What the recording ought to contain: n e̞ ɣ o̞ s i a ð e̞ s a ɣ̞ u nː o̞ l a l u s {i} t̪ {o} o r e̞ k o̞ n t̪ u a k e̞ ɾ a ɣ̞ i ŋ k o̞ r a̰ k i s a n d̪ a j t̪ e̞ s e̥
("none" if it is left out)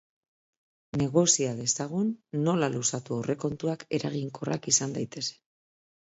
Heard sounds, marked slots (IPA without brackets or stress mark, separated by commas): a, u